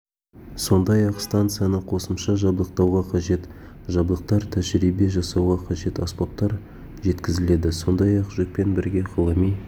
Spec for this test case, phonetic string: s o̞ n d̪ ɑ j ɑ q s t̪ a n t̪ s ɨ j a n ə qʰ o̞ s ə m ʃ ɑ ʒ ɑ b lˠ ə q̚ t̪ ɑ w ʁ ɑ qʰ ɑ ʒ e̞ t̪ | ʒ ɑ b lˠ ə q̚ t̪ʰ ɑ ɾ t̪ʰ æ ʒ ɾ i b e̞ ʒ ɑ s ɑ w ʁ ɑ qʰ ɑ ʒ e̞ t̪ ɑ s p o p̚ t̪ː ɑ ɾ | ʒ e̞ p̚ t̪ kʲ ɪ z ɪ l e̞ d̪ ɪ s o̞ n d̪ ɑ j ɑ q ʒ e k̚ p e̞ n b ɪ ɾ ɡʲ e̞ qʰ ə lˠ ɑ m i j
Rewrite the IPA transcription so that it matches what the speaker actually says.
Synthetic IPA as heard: s o̞ n d̪ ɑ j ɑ q s t̪ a n t̪ s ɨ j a n ə qʰ o̞ s ə m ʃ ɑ ʒ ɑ b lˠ ə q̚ t̪ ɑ w ʁ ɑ qʰ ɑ ʒ e̞ t̪ | ʒ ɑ b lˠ ə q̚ t̪ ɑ ɾ t̪ʰ æ ʒ ɾ i b e̞ ʒ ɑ s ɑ w ʁ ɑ qʰ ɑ ʒ e̞ t̪ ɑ s p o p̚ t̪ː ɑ ɾ | ʒ e̞ t̪ kʲ ɪ z ɪ l e̞ d̪ ɪ s o̞ n d̪ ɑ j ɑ q ʒ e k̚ p e̞ n b ɪ ɾ ɡʲ e̞ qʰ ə lˠ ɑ m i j